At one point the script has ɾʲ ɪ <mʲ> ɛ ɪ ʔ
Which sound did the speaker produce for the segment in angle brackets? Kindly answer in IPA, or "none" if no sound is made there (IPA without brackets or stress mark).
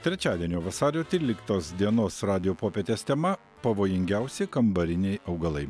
nʲ